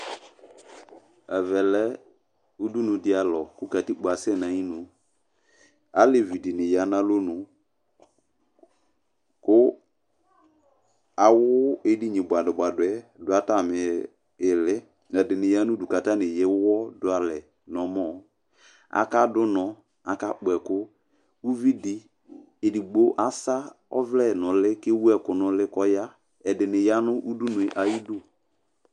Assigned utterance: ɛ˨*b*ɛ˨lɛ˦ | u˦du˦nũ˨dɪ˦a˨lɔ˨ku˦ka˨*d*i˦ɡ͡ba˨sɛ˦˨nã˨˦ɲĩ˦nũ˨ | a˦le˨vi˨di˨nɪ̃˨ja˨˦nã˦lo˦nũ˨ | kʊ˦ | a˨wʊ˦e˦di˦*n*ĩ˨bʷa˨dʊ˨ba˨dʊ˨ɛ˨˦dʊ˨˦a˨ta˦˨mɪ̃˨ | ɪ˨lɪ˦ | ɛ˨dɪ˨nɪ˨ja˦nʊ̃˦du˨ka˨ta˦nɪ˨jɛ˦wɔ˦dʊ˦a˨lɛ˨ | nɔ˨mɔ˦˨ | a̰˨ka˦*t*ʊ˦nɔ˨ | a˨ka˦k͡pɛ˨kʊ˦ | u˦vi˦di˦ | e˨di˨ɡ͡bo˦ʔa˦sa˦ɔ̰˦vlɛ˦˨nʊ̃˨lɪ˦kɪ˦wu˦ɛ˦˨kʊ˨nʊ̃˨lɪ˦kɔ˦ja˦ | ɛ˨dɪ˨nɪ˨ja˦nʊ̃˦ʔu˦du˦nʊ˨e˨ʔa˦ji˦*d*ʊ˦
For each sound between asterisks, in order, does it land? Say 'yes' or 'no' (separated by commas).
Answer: no, no, no, no, yes